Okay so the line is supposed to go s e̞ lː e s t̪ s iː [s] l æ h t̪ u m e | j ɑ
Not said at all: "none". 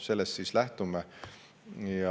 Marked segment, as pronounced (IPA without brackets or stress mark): s